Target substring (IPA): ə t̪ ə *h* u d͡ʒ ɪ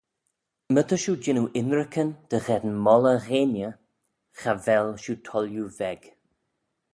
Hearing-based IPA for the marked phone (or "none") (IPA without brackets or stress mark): ʃ